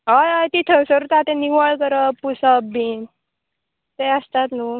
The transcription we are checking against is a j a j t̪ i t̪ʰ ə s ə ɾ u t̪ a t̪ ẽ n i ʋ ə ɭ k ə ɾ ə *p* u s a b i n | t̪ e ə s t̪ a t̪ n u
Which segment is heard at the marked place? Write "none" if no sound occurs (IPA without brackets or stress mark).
p